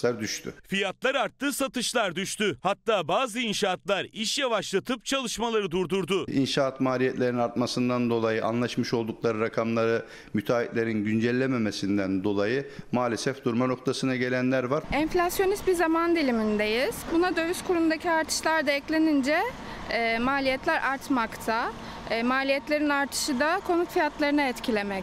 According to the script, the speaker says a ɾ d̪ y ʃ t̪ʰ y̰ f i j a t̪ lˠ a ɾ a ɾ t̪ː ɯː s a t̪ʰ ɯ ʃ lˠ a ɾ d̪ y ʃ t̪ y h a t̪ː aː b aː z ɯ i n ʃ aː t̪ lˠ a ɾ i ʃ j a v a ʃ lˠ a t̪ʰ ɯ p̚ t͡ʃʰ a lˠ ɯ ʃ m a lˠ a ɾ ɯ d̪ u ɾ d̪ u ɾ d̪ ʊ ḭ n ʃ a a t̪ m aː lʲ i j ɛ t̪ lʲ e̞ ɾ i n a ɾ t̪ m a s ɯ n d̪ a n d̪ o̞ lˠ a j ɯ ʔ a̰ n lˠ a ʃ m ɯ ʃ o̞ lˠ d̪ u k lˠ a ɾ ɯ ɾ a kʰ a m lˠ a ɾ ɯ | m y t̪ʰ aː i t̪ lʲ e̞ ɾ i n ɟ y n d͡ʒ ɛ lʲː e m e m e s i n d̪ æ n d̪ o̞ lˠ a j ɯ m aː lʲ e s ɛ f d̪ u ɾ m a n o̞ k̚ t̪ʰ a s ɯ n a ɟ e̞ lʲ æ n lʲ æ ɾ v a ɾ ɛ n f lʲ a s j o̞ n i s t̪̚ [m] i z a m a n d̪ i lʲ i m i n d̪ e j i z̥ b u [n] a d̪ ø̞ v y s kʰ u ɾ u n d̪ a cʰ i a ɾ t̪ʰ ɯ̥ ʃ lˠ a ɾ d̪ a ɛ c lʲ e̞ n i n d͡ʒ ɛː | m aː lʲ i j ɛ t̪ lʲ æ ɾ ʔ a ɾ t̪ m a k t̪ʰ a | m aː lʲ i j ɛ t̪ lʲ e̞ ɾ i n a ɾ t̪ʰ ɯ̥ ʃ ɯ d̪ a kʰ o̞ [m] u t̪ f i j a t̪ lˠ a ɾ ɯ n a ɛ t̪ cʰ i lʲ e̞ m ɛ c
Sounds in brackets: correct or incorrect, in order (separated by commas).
incorrect, correct, incorrect